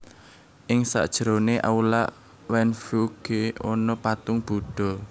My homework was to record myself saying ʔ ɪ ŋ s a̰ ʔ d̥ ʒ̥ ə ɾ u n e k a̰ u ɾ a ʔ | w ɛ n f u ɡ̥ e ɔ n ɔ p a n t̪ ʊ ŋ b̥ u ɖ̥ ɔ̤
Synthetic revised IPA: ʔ ɪ ŋ s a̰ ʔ d̥ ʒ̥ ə ɾ o n e ʔ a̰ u l a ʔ | w ɛ n f u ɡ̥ e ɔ n ɔ p a t̪ ʊ ŋ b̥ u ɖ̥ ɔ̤